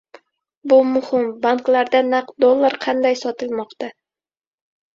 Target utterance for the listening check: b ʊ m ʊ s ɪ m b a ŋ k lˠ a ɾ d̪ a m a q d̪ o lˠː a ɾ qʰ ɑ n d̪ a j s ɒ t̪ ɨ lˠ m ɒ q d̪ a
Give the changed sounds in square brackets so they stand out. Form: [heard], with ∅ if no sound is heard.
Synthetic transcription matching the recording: b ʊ m ʊ [h] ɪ m b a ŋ k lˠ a ɾ d̪ a [n] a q d̪ o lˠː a ɾ qʰ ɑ n d̪ a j s ɒ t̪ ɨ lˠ m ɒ q [t̪] a